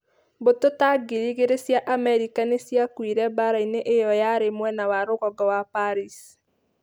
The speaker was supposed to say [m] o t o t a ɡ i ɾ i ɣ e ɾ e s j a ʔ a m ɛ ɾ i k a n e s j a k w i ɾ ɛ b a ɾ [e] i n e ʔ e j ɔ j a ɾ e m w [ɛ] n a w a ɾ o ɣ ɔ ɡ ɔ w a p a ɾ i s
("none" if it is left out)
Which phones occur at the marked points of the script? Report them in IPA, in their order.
b, a, ɛ

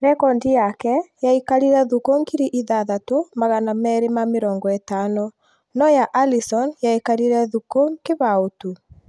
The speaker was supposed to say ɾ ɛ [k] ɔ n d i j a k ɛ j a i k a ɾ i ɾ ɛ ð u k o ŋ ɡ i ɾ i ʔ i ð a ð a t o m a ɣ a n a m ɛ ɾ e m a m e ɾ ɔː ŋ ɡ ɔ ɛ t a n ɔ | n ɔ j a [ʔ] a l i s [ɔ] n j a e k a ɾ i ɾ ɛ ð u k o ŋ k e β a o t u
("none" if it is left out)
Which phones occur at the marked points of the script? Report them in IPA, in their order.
k, ʔ, ɔ

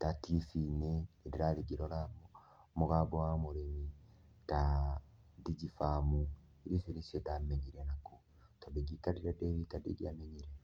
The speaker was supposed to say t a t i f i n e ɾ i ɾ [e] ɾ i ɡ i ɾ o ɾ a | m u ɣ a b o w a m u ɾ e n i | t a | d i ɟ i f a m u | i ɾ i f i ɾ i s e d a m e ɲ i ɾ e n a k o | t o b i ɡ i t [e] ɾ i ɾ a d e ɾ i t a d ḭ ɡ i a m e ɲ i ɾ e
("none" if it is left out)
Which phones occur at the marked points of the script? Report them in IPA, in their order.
a, a

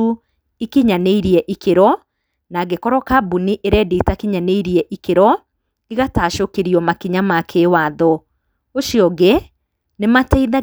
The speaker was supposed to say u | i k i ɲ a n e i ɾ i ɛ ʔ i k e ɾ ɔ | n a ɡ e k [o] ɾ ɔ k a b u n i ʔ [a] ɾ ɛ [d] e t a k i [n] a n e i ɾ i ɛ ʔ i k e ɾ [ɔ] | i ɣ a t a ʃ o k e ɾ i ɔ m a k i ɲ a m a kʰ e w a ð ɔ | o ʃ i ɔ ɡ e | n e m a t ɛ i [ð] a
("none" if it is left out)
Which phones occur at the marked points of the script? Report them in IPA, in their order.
ɔ, e, d, ɲ, ɔ, ð

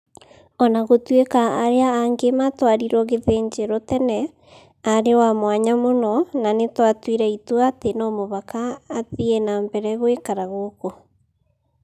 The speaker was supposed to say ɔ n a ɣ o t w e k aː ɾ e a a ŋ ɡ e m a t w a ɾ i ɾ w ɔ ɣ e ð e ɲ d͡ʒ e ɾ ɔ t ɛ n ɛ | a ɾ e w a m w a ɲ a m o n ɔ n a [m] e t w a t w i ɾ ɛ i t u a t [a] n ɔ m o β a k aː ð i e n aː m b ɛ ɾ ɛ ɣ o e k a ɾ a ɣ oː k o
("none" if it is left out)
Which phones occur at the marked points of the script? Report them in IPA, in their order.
n, e

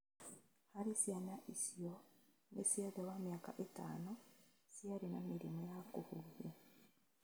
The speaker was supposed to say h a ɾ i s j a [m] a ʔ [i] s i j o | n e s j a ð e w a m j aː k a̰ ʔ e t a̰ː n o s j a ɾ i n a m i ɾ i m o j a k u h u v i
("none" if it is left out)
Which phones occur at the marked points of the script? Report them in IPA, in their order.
n, i

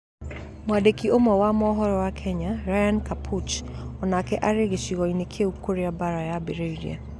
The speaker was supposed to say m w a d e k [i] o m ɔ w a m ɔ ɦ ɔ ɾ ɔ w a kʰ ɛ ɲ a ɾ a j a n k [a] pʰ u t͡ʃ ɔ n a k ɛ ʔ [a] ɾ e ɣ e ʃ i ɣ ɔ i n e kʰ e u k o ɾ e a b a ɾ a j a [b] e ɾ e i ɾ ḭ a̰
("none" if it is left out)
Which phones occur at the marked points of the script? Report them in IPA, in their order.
i, a, a, b

